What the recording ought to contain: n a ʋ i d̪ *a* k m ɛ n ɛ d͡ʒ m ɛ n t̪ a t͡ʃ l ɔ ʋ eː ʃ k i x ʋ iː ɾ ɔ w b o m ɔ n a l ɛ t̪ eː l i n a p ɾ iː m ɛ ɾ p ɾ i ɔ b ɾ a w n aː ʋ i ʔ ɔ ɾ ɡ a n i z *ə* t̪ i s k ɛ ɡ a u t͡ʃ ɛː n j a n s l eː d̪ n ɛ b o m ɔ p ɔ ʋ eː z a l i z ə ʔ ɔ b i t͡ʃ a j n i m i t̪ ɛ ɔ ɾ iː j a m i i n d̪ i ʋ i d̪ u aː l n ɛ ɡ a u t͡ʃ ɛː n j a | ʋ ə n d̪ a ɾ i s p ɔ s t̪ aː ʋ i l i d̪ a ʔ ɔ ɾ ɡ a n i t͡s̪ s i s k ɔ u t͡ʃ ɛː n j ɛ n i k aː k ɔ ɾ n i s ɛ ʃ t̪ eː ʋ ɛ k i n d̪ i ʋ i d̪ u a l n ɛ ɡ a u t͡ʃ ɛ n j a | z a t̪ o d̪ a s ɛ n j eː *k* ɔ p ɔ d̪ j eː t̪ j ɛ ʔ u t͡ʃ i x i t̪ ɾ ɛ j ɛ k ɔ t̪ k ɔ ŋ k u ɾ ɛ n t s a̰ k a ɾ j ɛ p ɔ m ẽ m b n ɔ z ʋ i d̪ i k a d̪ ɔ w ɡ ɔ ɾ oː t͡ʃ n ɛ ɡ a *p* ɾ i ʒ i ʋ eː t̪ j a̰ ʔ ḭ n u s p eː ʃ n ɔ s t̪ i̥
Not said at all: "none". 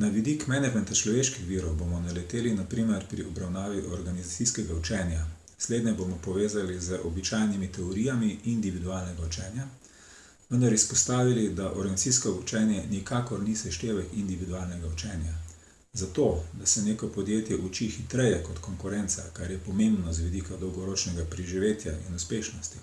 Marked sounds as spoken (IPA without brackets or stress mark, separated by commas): i, a, k, p